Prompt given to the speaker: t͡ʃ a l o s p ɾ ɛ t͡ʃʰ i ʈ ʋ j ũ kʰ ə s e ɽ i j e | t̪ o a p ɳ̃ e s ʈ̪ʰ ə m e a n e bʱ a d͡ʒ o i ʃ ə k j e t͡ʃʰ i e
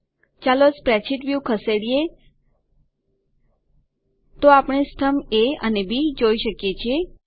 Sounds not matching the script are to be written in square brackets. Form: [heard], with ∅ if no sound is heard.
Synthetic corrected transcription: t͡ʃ a l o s p ɾ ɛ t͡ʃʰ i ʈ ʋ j [u] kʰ ə s e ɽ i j e | t̪ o a p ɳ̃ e s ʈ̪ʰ ə m e [ə] n e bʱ [i] d͡ʒ o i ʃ ə k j e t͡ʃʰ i e